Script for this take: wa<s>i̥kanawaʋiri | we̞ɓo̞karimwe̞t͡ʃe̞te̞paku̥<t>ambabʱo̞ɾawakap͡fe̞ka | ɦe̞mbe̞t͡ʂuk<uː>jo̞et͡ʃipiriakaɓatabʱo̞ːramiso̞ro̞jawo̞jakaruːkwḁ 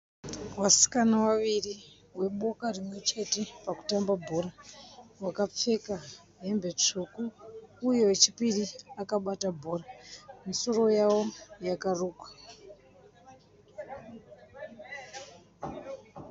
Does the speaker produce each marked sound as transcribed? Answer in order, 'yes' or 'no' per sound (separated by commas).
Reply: yes, yes, yes